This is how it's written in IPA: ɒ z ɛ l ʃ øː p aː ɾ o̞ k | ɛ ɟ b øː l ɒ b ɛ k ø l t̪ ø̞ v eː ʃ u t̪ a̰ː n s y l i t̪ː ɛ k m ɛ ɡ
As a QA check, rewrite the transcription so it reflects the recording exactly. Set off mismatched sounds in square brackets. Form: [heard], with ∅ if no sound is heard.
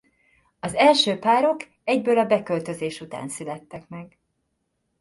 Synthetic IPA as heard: ɒ z ɛ l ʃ øː p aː ɾ o̞ k | ɛ ɟ b øː l ɒ b ɛ k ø l t̪ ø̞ [z] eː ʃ u t̪ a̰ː n s y l [ɛ] t̪ː ɛ k m ɛ ɡ